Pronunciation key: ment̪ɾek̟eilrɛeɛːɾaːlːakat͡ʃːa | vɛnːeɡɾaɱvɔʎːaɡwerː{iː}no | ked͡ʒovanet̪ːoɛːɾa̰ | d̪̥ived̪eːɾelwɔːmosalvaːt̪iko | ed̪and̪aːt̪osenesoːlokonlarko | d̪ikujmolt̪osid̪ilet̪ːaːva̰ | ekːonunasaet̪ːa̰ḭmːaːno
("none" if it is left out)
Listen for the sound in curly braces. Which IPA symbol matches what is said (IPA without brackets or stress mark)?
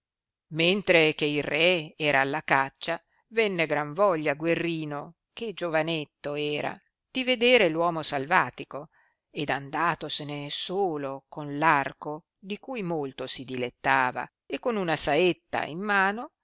iː